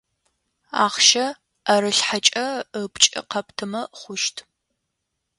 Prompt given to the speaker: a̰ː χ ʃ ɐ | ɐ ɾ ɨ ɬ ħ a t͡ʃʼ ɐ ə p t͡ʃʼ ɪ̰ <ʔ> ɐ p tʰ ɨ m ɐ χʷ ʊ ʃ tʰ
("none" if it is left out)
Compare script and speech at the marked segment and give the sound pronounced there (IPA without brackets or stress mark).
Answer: q